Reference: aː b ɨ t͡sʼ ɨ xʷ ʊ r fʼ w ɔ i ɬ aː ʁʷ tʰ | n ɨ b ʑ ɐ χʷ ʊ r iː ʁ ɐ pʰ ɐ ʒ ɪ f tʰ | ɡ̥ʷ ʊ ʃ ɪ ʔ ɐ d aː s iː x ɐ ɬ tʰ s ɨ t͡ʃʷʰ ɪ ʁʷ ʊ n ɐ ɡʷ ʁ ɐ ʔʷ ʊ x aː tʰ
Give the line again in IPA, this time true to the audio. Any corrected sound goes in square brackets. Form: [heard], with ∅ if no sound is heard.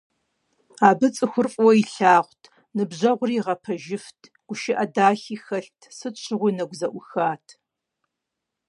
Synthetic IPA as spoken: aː b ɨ t͡sʼ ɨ xʷ ʊ r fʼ w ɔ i ɬ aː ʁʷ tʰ | n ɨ b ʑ ɐ [ʁʷ] ʊ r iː ʁ ɐ pʰ ɐ ʒ ɪ f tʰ | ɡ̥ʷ ʊ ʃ ɪ ʔ ɐ d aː [x] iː x ɐ ɬ tʰ s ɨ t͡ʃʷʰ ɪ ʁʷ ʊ n ɐ ɡʷ [z] ɐ ʔʷ ʊ x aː tʰ

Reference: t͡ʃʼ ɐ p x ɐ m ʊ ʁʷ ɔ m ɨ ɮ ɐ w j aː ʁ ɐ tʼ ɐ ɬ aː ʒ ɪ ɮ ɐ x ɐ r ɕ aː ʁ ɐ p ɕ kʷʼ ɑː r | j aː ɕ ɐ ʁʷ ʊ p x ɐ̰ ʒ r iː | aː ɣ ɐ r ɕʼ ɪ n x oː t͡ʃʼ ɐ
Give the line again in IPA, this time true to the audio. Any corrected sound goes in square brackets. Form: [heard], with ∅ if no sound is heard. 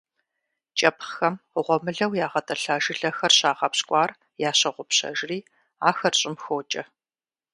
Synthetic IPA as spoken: t͡ʃʼ ɐ p x ɐ m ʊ ʁʷ ɔ m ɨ ɮ ɐ w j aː ʁ ɐ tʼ ɐ ɬ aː ʒ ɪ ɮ ɐ x ɐ r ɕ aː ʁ ɐ p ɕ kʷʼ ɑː r | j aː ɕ ɐ ʁʷ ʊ p [ɕ] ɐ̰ ʒ r iː | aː [x] ɐ r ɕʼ ɪ [m] x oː t͡ʃʼ ɐ

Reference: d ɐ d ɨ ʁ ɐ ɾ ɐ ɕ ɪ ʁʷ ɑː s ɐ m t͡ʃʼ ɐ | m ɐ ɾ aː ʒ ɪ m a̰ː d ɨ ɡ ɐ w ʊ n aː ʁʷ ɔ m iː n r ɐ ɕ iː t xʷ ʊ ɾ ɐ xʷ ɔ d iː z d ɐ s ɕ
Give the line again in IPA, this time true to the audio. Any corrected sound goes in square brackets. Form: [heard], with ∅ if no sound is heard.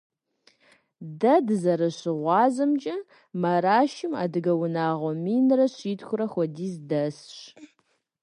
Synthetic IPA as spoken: d ɐ d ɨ [z] ɐ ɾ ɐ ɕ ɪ ʁʷ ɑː [z] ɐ m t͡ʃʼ ɐ | m ɐ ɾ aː [ʃ] ɪ m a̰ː d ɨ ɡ ɐ w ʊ n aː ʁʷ ɔ m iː n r ɐ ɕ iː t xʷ ʊ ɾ ɐ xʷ ɔ d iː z d ɐ s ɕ

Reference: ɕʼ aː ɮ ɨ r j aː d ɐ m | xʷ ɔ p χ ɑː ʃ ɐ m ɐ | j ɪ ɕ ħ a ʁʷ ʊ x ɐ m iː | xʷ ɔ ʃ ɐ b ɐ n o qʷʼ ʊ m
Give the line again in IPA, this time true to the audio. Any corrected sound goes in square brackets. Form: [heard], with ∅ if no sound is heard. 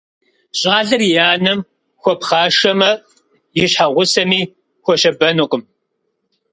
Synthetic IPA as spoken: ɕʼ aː ɮ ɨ r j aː [n] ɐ m | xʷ ɔ p χ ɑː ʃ ɐ m ɐ | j ɪ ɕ ħ a ʁʷ ʊ [s] ɐ m iː | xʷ ɔ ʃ ɐ b ɐ n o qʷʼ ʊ m

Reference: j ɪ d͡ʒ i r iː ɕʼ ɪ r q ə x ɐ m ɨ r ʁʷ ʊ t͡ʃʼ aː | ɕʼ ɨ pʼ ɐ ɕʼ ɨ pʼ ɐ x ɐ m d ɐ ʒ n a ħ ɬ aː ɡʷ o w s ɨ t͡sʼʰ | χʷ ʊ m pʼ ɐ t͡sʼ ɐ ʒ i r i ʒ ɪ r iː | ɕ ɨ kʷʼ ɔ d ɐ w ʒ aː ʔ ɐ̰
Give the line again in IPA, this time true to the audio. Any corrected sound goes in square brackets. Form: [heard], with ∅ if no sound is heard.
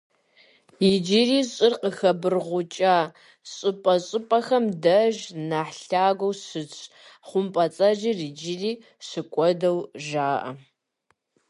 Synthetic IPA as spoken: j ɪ d͡ʒ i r iː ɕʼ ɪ r q ə x ɐ [b] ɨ r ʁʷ ʊ t͡ʃʼ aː | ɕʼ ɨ pʼ ɐ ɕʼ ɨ pʼ ɐ x ɐ m d ɐ ʒ n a ħ ɬ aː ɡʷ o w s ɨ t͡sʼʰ | χʷ ʊ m pʼ ɐ t͡sʼ ɐ ʒ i r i [d͡ʒ] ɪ r iː | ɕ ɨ kʷʼ ɔ d ɐ w ʒ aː ʔ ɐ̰

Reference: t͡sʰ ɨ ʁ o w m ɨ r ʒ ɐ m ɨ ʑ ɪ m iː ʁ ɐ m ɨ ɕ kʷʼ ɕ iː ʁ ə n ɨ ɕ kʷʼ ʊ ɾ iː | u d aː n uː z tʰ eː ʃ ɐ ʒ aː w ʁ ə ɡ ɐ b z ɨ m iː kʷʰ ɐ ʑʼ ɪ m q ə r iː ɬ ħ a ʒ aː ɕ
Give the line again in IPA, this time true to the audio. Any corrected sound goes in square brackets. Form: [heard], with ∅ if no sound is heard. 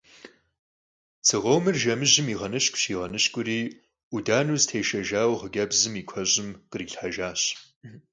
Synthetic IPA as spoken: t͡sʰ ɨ ʁ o w m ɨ r ʒ ɐ m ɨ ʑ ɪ m iː ʁ ɐ [n] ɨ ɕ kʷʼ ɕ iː ʁ [ɐ] n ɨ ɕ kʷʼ ʊ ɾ iː | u d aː n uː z tʰ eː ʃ ɐ ʒ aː w ʁ ə ɡ ɐ b z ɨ m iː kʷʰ ɐ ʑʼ ɪ m q ə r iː ɬ ħ a ʒ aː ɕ

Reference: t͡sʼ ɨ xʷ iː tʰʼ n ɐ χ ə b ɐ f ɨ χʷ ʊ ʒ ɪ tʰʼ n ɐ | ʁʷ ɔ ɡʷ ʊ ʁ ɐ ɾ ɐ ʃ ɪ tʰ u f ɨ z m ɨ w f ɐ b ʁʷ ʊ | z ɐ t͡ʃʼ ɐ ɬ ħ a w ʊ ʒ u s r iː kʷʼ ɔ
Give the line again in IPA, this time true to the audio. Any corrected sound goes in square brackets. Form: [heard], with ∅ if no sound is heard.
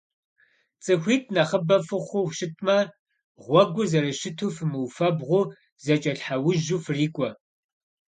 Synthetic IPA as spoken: t͡sʼ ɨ xʷ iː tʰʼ n ɐ χ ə b ɐ f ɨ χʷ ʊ [ʃ] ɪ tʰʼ [m] ɐ | ʁʷ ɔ ɡʷ ʊ [z] ɐ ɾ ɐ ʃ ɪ tʰ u f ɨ [∅] m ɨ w f ɐ b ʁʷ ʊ | z ɐ t͡ʃʼ ɐ ɬ ħ a w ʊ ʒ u [f] r iː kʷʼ ɔ

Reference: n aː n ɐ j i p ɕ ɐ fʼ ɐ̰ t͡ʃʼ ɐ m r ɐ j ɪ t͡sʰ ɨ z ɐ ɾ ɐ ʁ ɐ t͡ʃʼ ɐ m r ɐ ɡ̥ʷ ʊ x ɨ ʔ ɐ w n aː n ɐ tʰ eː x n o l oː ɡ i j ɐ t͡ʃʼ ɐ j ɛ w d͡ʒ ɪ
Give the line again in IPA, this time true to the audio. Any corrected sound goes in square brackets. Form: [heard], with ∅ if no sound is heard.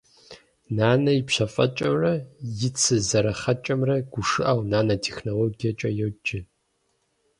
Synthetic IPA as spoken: n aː n ɐ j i p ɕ ɐ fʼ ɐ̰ t͡ʃʼ ɐ m r ɐ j ɪ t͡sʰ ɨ z ɐ ɾ ɐ [χ] ɐ t͡ʃʼ ɐ m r ɐ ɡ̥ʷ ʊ [ʂ] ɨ ʔ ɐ w n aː n ɐ tʰ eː x n o l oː ɡ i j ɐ t͡ʃʼ ɐ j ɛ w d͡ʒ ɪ

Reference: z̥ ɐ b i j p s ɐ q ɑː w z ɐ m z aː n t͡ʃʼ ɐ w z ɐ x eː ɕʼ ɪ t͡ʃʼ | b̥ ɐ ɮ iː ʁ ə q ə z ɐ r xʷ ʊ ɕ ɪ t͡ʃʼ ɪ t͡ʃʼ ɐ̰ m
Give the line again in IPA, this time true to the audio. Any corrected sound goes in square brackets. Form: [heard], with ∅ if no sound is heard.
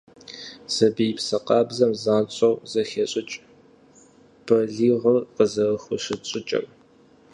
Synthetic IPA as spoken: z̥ ɐ b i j p s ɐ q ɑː [b] z ɐ m z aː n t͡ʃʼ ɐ w z ɐ x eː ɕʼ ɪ t͡ʃʼ | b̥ ɐ ɮ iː ʁ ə q ə z ɐ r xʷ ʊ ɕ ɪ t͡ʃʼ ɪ t͡ʃʼ ɐ̰ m

